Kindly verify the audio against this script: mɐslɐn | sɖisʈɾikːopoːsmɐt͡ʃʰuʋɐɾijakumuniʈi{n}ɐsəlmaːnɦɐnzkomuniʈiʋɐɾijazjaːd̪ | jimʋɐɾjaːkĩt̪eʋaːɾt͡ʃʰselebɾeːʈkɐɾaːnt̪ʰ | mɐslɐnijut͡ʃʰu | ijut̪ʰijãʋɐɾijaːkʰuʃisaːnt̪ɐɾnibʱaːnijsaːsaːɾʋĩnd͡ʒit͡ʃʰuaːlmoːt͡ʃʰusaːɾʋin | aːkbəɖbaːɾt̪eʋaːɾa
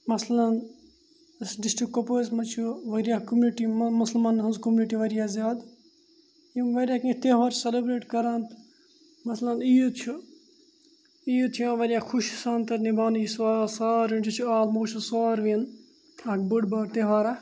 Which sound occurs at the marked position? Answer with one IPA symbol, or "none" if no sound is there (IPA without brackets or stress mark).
m